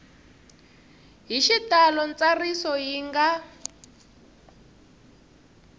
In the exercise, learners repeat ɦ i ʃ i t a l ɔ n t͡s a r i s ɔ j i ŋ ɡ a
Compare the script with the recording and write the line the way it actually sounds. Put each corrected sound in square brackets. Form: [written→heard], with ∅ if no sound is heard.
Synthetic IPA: ɦ i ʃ i t a l ɔ n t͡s a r i s ɔ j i ŋ ɡ a

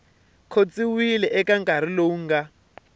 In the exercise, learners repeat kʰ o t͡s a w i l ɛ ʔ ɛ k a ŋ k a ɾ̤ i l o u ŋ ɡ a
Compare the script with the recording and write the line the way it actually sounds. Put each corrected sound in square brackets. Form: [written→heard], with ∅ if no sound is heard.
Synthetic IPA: kʰ o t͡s [a→i] w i l ɛ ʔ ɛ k a ŋ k a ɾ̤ i l o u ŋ ɡ a

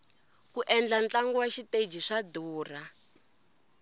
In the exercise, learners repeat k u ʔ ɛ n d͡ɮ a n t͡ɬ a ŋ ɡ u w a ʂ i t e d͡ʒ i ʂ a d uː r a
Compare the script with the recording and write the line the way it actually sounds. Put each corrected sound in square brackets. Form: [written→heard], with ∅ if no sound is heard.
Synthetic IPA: k u ʔ ɛ n d͡ɮ a n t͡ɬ a ŋ ɡ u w a [ʂ→ʃ] i t e d͡ʒ i ʂ a d uː r a

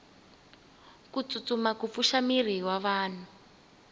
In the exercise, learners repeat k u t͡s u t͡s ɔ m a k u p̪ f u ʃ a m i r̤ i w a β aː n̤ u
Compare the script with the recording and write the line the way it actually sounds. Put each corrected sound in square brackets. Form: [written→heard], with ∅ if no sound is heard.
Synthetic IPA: k u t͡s u t͡s [ɔ→u] m a k u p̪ f u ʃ a m i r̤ i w a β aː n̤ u

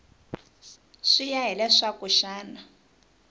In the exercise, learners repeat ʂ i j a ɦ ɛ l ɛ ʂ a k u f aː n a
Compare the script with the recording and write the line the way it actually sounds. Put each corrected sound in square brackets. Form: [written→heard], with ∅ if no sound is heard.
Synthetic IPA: ʂ i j a ɦ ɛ l ɛ ʂ a k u [f→ʃ] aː n a

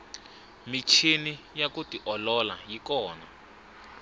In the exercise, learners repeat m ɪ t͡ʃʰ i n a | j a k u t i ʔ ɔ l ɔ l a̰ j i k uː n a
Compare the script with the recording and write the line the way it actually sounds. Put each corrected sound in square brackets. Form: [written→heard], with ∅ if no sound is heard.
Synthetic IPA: m [ɪ→i] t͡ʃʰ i n [a→i] | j a k u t i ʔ ɔ l ɔ l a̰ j i k [uː→ɔː] n a

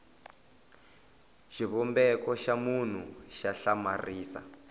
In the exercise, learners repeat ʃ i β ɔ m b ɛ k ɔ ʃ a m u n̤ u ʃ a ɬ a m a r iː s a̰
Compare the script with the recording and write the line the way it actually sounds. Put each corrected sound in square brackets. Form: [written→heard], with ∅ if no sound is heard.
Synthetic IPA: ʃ i β ɔ m b ɛ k ɔ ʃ a m u n̤ u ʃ a ɬ a m a r iː s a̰

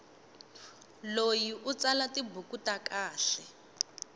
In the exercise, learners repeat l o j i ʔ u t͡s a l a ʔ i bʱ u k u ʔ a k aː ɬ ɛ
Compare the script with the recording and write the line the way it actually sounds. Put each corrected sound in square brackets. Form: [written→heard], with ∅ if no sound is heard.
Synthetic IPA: l o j i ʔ u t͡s a l a [ʔ→t] i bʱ u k u [ʔ→t] a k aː ɬ ɛ

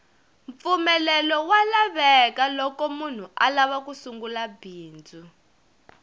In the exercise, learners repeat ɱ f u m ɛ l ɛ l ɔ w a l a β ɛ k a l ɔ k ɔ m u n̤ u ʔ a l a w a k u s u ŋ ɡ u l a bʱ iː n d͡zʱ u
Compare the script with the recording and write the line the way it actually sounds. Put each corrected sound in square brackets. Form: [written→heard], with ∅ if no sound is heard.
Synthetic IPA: ɱ f u m ɛ l ɛ l ɔ w a l a β ɛ k a l ɔ k ɔ m u n̤ u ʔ a l a [w→β] a k u s u ŋ ɡ u l a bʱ iː n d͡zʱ u

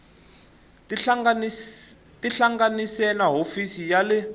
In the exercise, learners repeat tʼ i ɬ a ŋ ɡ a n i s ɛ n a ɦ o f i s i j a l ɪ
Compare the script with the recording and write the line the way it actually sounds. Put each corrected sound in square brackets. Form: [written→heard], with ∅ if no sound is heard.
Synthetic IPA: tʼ i ɬ a ŋ ɡ a n i s ɛ n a ɦ o f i s i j a l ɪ

